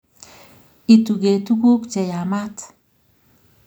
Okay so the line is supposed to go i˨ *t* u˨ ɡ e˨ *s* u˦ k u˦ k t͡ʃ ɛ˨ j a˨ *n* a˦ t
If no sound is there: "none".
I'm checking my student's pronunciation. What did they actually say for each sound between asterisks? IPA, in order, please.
t, t, m

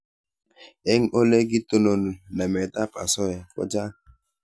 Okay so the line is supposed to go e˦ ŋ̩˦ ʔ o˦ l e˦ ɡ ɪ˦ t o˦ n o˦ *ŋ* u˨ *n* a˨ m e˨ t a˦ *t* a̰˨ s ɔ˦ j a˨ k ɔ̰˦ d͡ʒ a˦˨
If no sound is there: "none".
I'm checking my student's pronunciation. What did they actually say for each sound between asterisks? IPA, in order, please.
n, n, p

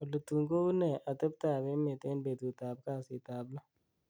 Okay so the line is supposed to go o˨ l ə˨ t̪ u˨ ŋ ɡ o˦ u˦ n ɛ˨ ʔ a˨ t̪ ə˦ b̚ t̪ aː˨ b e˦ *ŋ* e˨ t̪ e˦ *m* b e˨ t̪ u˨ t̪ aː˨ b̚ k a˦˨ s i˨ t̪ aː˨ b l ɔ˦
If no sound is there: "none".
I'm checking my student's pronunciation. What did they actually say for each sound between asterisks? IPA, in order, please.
m, n

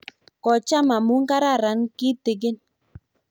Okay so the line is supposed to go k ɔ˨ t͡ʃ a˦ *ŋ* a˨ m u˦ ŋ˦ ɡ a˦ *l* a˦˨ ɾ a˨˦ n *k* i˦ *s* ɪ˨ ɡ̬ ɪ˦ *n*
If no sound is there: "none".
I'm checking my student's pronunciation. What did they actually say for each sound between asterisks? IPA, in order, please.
m, ɾ, k, t, n

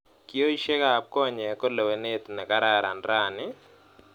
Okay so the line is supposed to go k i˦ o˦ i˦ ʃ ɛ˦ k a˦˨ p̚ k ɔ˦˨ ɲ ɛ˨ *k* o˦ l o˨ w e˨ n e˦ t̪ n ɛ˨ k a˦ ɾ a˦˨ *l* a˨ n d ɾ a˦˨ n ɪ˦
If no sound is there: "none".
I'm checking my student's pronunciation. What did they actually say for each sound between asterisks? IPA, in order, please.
k, ɾ

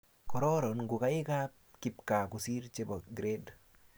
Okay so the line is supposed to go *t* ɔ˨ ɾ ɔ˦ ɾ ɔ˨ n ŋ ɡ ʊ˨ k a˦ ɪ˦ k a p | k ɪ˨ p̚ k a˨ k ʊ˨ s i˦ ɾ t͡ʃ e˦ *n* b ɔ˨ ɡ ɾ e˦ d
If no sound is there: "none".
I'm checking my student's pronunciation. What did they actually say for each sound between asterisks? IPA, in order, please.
k, none

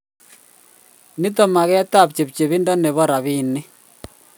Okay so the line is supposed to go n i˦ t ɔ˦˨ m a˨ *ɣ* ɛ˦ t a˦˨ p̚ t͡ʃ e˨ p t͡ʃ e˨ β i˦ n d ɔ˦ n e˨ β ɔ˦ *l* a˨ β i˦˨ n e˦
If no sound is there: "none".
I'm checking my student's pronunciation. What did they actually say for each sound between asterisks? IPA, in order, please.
ɣ, ɾ

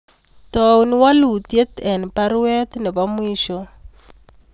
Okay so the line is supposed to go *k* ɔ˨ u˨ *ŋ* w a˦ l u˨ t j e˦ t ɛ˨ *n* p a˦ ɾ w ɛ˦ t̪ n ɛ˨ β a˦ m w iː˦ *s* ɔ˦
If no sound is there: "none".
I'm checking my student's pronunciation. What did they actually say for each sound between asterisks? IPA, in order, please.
t, n, n, ʃ

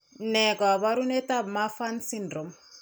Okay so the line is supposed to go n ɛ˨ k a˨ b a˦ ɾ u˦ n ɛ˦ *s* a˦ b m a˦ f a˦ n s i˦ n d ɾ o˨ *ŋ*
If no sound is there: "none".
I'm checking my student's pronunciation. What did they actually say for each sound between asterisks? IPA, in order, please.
t, m

